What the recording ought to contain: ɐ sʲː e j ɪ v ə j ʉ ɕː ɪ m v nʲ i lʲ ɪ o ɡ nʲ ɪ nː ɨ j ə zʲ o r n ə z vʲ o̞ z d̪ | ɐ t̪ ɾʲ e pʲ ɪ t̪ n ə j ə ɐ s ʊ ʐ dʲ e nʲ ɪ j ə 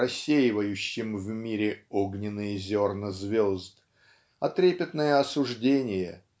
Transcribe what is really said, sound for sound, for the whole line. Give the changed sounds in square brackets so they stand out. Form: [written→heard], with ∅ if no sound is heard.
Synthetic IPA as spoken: ɐ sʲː e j ɪ v ə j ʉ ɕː ɪ m v [nʲ→mʲ] i [lʲ→ɾʲ] ɪ o ɡ nʲ ɪ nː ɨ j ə zʲ o r n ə z vʲ o̞ z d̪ | ɐ t̪ ɾʲ e pʲ ɪ t̪ n ə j ə ɐ s ʊ ʐ dʲ e nʲ ɪ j ə